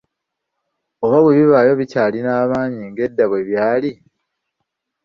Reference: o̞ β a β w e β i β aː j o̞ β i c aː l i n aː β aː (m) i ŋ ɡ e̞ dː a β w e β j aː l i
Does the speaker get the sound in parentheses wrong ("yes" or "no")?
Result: yes